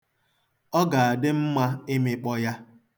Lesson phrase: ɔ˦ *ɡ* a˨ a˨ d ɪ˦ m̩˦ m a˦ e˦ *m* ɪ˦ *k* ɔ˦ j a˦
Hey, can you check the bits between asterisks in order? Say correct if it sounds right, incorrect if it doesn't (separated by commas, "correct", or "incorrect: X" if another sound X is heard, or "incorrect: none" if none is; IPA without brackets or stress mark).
correct, correct, incorrect: k͡p